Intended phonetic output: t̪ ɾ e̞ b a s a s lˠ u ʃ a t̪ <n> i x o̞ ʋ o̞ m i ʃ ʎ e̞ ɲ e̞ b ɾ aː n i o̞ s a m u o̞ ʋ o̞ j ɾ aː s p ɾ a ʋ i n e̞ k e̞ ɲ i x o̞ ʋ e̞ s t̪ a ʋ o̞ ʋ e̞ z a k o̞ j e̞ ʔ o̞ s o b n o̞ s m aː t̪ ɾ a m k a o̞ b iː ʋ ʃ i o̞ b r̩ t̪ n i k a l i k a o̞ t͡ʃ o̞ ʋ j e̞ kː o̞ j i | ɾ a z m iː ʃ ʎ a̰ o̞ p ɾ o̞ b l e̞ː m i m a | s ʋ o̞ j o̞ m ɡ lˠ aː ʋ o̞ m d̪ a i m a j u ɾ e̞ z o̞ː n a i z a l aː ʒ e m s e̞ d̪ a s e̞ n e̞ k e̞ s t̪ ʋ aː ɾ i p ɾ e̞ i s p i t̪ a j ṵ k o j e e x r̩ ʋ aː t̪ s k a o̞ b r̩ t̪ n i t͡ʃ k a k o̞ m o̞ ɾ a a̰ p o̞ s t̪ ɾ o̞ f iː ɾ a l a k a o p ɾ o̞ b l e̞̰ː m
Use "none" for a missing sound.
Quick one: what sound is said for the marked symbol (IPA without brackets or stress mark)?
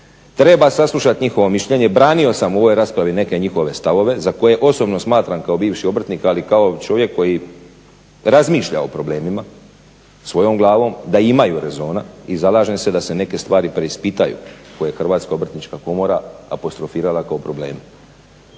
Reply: ɲ